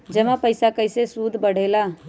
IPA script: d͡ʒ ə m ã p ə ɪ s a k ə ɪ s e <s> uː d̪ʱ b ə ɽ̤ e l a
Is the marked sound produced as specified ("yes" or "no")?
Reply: yes